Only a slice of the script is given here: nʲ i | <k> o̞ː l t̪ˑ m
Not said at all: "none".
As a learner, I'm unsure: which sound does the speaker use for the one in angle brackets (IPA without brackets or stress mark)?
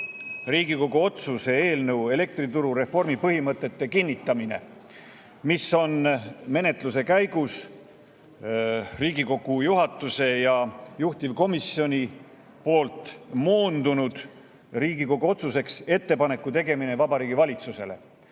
p